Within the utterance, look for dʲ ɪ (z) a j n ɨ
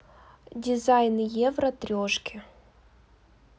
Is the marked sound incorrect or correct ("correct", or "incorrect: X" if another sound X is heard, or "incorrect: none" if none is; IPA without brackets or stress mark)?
correct